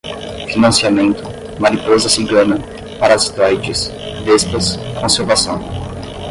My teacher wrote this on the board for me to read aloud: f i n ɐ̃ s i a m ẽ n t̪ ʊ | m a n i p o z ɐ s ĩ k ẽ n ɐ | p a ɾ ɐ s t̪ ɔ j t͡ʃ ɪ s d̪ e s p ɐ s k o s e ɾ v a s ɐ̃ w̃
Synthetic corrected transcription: f i n ɐ̃ s i a m ẽ n t̪ ʊ | m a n i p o z ɐ s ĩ ɡ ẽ n ɐ | p a ɾ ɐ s t̪ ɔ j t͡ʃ ɪ s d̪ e s p ɐ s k õ s e ɾ v a s ɐ̃ w̃